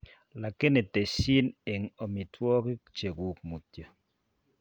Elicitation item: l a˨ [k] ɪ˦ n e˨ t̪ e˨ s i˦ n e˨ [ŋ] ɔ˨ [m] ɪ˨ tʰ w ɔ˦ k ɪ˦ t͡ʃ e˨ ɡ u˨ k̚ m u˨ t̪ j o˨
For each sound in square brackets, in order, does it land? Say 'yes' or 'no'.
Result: yes, yes, yes

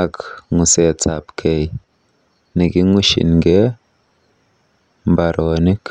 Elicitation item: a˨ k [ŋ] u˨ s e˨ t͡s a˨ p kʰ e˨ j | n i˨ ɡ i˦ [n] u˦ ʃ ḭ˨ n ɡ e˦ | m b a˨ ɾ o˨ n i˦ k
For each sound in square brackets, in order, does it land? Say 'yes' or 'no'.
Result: yes, no

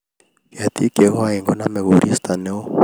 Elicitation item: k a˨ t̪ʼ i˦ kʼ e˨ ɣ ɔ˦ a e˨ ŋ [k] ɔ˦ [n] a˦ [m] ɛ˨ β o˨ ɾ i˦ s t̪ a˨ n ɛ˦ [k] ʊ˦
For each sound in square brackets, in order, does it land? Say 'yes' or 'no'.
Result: no, yes, yes, no

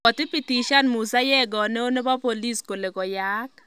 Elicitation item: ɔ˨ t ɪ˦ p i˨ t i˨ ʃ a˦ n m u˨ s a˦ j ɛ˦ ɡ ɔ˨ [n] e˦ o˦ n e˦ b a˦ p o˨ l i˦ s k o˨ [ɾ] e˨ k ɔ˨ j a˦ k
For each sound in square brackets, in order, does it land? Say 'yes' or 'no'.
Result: yes, no

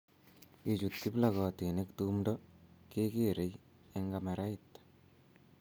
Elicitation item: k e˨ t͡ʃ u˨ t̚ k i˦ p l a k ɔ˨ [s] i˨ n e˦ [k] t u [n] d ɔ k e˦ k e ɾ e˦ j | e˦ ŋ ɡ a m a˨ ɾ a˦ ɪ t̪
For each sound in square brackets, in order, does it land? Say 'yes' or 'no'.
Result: no, yes, no

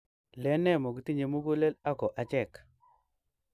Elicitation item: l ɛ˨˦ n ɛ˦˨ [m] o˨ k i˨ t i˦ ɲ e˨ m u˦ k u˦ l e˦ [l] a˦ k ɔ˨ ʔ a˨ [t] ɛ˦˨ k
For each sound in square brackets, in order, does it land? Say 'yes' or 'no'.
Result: yes, yes, no

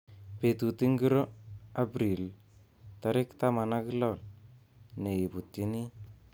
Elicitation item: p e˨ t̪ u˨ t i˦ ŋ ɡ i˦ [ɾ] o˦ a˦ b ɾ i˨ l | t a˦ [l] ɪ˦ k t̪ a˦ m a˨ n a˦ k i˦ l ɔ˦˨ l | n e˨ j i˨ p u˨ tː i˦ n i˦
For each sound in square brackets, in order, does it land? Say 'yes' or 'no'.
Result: yes, no

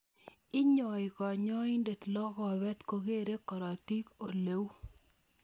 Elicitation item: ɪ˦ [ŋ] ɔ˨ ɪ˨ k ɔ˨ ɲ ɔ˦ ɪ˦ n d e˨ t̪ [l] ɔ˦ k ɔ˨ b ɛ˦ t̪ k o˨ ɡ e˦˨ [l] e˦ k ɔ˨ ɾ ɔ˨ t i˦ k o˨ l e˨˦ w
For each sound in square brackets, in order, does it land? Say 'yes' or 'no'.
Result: no, yes, no

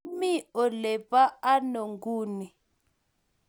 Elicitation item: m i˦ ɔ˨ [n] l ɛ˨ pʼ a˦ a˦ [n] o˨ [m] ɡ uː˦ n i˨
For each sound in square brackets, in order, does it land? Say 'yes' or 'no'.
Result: no, yes, no

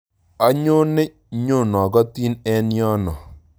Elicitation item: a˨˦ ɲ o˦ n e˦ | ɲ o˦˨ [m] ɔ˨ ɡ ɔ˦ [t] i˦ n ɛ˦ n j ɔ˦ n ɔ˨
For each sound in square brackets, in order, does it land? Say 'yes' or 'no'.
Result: no, yes

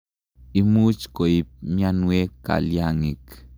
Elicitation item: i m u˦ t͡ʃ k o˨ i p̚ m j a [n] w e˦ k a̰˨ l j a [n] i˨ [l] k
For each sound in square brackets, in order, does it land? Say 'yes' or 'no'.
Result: yes, no, no

